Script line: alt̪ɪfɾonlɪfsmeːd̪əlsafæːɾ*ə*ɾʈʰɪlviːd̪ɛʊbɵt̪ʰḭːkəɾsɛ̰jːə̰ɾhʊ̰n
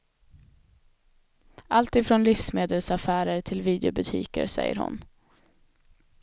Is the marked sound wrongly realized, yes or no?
no